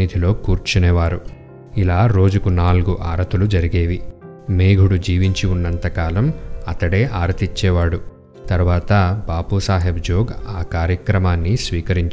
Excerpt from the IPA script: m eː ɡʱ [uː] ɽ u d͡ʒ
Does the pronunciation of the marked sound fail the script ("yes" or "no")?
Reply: yes